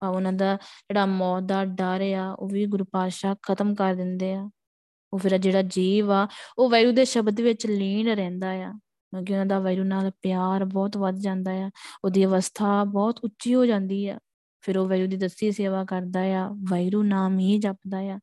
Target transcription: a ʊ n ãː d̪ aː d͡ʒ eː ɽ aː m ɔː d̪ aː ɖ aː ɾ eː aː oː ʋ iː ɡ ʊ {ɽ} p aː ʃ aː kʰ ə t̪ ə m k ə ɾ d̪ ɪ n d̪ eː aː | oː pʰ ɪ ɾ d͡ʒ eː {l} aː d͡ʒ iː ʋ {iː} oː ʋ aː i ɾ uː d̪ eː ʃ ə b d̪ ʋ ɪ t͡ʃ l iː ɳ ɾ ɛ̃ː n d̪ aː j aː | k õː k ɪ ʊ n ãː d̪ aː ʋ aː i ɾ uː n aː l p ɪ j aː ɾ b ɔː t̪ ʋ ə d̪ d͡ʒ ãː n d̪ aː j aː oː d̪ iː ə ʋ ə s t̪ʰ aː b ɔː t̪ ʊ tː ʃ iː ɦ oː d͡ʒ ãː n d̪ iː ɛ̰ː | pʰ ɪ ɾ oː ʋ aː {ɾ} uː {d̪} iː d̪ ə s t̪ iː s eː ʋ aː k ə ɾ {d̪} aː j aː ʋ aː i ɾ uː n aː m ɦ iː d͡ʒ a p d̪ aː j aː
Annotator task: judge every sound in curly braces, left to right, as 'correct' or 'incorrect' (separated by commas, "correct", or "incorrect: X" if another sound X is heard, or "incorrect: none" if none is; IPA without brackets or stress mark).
incorrect: ɾ, incorrect: ɽ, incorrect: aː, correct, correct, correct